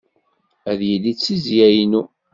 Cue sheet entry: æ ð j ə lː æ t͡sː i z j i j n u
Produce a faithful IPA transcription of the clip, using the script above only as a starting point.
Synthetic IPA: æ ð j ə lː i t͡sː i z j æ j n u